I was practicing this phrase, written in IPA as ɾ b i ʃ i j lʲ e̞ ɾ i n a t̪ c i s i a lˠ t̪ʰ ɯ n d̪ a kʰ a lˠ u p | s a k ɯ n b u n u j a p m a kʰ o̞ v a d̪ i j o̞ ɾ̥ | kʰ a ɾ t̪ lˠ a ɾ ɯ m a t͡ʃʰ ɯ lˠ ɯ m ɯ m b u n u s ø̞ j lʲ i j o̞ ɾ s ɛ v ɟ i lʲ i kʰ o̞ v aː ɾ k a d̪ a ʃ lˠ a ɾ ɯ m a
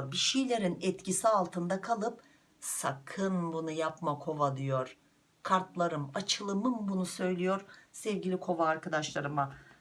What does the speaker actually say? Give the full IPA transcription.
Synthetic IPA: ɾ b i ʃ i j lʲ e̞ ɾ i n ɛ t̪ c i s i a lˠ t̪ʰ ɯ n d̪ a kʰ a lˠ ɯ p | s a kʰ ɯ n b u n u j a p m a kʰ o̞ v a d̪ i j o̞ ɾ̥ | kʰ a ɾ t̪ lˠ a ɾ ɯ m a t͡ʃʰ ɯ lˠ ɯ m ɯ m b u n u s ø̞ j lʲ i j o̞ ɾ s ɛ v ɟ i lʲ i kʰ o̞ v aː ɾ k a d̪ a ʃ lˠ a ɾ ɯ m a